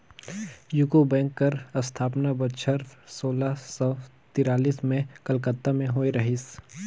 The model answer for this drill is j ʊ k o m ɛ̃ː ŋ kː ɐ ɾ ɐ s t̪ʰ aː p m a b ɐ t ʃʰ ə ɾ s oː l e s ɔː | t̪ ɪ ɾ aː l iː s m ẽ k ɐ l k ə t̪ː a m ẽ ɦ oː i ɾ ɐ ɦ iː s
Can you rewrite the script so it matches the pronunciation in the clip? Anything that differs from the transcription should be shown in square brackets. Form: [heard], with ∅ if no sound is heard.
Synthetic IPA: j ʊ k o [b] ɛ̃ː ŋ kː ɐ ɾ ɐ s t̪ʰ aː p [n] a b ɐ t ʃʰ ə ɾ s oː l [a] s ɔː | t̪ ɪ ɾ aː l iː s m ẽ k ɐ l k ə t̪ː a m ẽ ɦ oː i ɾ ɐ ɦ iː s

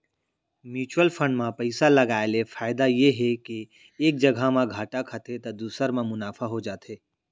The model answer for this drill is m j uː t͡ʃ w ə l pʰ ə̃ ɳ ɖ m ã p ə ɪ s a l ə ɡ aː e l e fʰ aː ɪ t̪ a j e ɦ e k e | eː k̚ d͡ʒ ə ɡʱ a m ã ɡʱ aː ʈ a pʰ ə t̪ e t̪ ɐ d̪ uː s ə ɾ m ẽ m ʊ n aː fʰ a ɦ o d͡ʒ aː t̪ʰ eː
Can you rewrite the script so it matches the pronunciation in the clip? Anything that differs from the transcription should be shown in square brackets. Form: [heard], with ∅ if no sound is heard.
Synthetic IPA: m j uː t͡ʃ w ə l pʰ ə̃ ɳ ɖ m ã p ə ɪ s a l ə ɡ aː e l e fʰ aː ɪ [d̪] a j e ɦ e k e | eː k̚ d͡ʒ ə ɡʱ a m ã ɡʱ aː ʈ a [kʰ] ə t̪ e t̪ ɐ d̪ uː s ə ɾ m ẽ m ʊ n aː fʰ a ɦ o d͡ʒ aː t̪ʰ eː

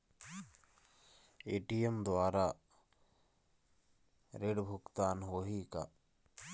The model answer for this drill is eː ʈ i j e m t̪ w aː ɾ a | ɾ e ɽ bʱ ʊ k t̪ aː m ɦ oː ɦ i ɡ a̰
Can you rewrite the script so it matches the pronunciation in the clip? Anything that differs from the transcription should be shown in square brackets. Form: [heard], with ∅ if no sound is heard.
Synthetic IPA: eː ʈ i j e m [d̪] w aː ɾ a | ɾ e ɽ bʱ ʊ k t̪ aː [n] ɦ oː ɦ i [k] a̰

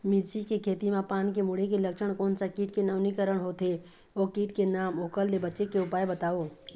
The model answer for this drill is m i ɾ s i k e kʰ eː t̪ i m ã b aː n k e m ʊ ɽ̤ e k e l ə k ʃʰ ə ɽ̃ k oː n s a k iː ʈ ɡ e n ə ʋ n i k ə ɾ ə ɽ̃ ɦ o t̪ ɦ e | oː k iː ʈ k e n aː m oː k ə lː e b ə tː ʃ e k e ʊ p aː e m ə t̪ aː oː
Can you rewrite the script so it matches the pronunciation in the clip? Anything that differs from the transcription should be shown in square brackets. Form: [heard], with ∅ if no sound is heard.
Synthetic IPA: m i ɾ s i k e kʰ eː t̪ i m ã [p] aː n k e m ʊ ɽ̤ e k e l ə k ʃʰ ə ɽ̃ k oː n s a k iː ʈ [k] e n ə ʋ n i k ə ɾ ə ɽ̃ ɦ o t̪ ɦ e | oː k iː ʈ k e n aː m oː k ə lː e b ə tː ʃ e k e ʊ p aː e [b] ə t̪ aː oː

